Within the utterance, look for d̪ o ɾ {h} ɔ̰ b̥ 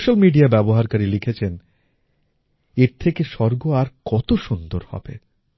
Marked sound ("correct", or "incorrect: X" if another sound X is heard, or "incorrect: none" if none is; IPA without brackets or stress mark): correct